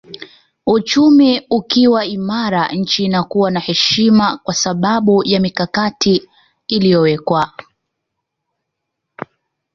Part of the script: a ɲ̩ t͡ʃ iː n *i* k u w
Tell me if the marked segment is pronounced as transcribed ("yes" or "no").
no